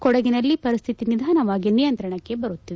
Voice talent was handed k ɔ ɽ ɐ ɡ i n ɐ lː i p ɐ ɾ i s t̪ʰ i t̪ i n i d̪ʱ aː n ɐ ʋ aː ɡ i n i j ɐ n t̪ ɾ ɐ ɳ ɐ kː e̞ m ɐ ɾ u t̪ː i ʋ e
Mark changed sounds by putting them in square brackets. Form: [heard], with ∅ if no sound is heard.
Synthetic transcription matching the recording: k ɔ ɽ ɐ ɡ i n ɐ lː i p ɐ ɾ i s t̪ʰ i t̪ i n i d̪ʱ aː n ɐ ʋ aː ɡ i n i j ɐ n t̪ ɾ ɐ ɳ ɐ kː e̞ [b] ɐ ɾ u t̪ː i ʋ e